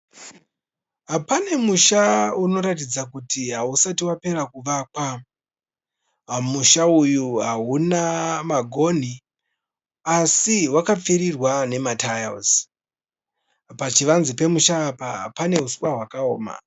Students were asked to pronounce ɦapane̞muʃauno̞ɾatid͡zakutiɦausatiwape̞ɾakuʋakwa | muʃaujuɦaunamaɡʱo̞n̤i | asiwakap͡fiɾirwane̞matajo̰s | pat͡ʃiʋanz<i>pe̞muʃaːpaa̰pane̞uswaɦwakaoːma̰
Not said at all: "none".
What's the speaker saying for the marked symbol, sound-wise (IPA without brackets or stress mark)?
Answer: i